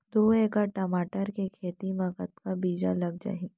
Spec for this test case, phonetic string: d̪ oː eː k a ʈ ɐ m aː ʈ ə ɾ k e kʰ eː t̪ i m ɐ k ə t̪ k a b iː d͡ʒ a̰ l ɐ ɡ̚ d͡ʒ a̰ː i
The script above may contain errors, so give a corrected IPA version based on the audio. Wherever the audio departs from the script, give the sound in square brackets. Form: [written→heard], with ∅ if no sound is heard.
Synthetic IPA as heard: d̪ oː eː k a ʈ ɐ m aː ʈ ə ɾ k e kʰ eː t̪ i m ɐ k ə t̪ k a b iː d͡ʒ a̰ l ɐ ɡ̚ d͡ʒ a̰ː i